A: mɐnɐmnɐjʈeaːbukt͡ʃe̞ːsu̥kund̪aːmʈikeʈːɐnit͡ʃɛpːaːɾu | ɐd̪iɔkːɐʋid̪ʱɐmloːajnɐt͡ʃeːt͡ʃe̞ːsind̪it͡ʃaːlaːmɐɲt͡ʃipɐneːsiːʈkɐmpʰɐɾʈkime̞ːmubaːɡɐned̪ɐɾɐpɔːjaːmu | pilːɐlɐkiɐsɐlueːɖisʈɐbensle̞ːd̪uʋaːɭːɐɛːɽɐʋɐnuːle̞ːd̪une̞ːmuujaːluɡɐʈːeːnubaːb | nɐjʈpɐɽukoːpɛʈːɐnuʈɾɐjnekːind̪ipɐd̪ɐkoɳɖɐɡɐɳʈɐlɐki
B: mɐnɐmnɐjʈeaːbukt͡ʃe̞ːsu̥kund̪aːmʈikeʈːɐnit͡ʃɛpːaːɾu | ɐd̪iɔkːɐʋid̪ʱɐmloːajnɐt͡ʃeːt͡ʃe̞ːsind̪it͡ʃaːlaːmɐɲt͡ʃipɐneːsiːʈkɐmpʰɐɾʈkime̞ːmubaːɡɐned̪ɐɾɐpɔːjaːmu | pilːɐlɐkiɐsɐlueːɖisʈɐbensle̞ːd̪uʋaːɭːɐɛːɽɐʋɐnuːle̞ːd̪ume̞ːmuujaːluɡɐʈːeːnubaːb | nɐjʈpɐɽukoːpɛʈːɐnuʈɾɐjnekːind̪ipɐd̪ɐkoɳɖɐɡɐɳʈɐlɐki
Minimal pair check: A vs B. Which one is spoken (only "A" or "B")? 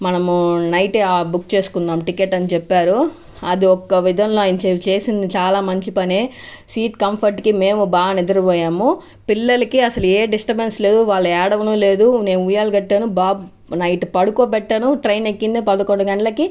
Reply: A